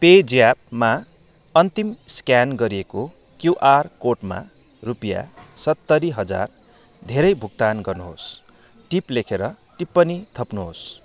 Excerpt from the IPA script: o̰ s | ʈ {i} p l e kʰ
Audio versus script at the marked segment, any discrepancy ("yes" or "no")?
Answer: no